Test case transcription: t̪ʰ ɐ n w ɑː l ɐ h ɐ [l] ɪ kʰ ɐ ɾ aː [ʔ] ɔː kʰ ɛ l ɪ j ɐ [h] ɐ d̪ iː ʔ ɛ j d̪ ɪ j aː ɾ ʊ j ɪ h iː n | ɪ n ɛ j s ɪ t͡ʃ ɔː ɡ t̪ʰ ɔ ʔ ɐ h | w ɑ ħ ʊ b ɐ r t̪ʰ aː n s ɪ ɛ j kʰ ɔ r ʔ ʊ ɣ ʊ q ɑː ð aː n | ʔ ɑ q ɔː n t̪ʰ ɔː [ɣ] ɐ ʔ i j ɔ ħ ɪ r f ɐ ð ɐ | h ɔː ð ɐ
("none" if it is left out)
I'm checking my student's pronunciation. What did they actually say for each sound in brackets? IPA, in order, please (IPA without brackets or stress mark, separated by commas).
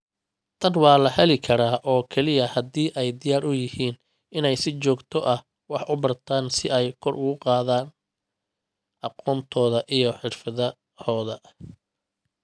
l, ʔ, h, ð